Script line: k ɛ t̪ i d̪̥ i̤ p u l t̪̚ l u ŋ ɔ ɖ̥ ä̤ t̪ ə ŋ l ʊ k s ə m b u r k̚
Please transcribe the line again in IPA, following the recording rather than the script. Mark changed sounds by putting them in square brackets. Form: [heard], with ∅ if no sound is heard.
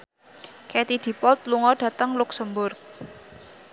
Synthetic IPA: k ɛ t̪ i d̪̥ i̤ p [ɔ] l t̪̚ l u ŋ ɔ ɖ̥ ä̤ t̪ ə ŋ l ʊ k s ə m b [ʊ] r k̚